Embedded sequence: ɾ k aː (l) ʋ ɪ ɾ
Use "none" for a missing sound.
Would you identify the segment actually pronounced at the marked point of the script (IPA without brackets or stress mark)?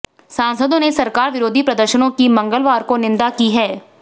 ɾ